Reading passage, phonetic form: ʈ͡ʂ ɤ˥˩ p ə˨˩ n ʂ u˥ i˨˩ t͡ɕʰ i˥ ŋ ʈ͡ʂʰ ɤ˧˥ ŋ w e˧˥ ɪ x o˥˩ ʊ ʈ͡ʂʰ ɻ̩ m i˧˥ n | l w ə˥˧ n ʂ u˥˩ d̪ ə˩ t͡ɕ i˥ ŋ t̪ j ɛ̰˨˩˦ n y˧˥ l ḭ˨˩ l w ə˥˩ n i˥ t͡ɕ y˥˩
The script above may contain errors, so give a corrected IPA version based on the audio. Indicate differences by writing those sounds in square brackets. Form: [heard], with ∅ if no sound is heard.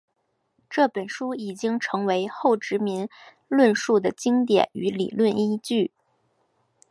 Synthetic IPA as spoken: ʈ͡ʂ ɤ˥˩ p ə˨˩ n ʂ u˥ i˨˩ [t͡ɕ] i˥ ŋ ʈ͡ʂʰ ɤ˧˥ ŋ w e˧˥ ɪ x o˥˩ ʊ [ʈ͡ʂ] ɻ̩ m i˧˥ n | l w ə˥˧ n ʂ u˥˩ d̪ ə˩ t͡ɕ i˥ ŋ t̪ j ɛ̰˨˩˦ n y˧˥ l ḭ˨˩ l w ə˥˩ n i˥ t͡ɕ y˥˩